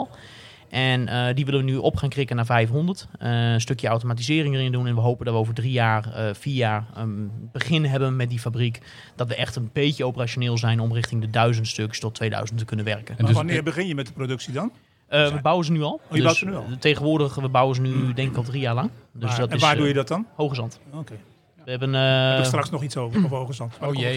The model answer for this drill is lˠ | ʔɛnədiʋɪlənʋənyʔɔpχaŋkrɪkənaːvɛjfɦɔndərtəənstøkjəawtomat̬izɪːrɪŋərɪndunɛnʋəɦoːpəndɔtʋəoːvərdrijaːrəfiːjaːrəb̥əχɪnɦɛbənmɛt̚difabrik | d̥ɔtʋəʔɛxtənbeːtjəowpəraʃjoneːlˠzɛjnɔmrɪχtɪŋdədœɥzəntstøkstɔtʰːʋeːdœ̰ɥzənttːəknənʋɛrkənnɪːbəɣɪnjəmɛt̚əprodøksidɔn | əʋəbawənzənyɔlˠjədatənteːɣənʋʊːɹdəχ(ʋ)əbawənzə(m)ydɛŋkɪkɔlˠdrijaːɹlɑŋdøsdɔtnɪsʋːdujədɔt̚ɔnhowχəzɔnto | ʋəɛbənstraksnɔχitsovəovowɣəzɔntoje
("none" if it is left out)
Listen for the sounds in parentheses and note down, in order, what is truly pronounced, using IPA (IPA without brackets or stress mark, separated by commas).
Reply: ʋ, n